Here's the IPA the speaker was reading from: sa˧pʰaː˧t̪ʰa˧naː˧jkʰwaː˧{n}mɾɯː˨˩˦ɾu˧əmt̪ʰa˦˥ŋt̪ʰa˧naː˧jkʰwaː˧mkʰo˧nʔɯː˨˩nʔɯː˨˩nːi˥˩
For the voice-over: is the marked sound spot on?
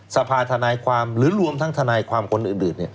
no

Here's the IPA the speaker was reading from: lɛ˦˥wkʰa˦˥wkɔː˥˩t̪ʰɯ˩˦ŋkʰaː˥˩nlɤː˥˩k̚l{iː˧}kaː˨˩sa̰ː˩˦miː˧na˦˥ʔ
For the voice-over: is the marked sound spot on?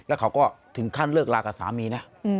no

